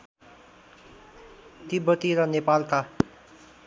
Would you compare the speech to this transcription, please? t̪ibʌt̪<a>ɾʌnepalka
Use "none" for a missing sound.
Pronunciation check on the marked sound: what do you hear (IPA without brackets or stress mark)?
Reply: i